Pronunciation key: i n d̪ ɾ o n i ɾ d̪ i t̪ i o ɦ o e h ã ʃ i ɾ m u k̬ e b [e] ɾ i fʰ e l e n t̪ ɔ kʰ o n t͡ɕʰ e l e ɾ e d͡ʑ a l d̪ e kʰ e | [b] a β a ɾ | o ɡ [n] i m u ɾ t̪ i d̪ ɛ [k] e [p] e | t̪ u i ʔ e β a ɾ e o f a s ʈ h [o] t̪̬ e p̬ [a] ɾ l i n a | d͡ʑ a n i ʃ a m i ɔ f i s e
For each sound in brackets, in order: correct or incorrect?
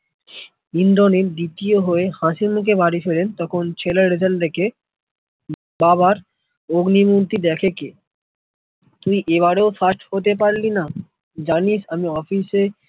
incorrect, correct, correct, incorrect, incorrect, correct, correct

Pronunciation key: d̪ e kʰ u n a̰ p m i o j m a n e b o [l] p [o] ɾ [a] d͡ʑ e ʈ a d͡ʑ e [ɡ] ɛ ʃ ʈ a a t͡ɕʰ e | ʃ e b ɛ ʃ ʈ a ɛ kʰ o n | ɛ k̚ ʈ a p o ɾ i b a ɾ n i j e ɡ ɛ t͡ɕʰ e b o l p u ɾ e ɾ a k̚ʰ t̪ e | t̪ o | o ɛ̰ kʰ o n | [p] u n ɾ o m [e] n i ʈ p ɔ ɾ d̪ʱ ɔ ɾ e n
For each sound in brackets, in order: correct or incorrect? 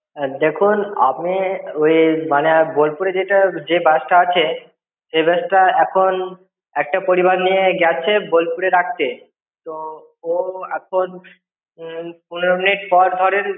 correct, incorrect, incorrect, incorrect, correct, incorrect

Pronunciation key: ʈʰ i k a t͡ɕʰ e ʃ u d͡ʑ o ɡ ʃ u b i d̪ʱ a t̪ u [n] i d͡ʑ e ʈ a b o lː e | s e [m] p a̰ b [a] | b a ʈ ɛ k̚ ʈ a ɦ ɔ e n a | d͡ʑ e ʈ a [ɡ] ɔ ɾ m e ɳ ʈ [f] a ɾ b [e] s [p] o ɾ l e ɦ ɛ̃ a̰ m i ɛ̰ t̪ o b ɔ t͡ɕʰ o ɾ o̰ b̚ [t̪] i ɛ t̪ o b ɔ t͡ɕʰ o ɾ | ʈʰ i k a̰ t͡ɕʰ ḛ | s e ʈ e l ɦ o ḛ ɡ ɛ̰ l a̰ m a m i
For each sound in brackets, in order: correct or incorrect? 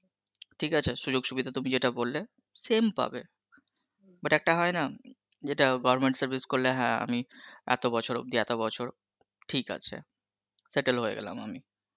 incorrect, correct, incorrect, correct, incorrect, incorrect, incorrect, incorrect

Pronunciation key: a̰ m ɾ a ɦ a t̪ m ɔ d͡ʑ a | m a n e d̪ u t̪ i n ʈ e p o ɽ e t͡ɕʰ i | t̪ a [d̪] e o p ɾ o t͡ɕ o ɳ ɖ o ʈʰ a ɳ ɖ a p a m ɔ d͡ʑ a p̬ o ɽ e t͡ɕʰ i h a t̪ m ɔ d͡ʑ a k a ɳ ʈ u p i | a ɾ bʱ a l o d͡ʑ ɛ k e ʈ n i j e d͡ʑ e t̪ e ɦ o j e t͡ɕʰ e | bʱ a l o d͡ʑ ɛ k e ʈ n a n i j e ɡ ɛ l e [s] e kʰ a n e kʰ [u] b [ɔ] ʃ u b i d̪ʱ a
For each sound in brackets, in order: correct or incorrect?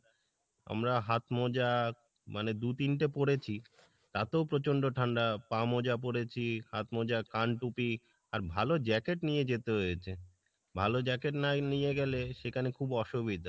incorrect, incorrect, correct, correct

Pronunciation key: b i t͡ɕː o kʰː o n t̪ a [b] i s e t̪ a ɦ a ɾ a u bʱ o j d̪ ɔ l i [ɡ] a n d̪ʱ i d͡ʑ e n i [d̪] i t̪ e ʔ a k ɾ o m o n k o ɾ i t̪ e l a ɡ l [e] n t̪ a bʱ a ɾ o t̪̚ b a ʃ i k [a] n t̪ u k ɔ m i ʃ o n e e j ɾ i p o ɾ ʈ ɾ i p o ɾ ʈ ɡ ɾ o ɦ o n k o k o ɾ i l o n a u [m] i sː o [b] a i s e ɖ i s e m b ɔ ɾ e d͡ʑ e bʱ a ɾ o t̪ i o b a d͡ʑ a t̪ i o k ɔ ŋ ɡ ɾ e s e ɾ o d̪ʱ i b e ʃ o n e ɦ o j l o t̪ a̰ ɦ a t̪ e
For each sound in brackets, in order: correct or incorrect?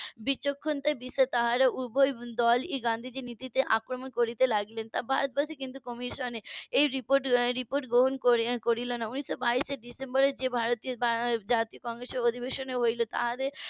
correct, correct, incorrect, correct, incorrect, incorrect, correct

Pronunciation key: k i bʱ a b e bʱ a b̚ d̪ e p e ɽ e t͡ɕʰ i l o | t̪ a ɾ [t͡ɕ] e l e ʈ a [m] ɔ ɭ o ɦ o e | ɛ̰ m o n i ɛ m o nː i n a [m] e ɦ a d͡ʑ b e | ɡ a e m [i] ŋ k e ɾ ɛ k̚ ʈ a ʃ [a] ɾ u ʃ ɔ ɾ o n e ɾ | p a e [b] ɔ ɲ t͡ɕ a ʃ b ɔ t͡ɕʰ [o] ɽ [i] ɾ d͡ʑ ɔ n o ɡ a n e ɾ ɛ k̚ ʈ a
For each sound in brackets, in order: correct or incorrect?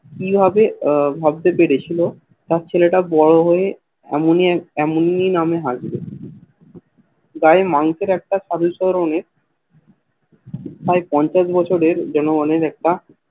incorrect, incorrect, correct, incorrect, correct, incorrect, correct, incorrect

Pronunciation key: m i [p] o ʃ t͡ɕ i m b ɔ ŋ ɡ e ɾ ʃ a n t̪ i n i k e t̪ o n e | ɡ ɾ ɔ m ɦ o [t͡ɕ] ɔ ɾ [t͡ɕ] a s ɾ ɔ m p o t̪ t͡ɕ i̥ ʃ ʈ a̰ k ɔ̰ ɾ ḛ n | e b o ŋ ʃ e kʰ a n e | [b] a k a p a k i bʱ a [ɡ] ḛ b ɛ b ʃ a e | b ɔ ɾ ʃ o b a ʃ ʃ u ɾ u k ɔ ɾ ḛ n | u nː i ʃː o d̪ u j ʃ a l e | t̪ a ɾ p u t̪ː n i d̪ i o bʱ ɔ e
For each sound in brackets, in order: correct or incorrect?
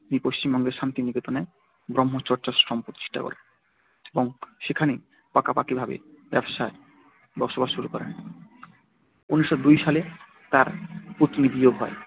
correct, correct, correct, incorrect, incorrect

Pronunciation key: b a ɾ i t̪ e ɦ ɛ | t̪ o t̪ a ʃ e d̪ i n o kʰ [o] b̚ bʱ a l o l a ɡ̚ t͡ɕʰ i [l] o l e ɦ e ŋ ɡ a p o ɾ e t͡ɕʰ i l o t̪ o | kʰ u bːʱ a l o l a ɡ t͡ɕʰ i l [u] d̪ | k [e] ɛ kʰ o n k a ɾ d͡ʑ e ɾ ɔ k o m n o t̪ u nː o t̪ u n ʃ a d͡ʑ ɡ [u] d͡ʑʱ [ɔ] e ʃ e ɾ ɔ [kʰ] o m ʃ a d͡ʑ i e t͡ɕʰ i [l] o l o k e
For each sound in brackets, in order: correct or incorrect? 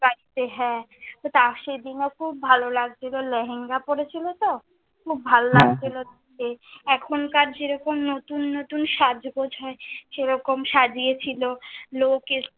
incorrect, correct, incorrect, correct, incorrect, correct, incorrect, correct

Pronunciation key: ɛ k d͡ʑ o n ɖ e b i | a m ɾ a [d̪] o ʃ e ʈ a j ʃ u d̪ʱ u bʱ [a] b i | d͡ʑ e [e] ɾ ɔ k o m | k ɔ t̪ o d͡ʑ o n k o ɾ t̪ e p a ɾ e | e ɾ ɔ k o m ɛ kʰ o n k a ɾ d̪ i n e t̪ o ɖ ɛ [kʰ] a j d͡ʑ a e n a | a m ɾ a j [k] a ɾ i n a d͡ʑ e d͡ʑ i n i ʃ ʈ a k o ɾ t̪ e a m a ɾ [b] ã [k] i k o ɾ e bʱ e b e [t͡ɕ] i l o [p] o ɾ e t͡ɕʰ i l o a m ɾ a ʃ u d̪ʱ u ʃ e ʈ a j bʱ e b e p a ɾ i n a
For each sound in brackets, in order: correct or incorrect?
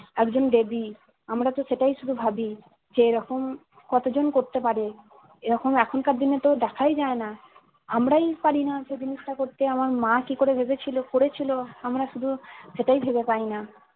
incorrect, correct, correct, correct, incorrect, incorrect, correct, incorrect, incorrect

